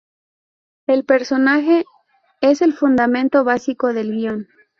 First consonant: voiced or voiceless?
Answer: voiced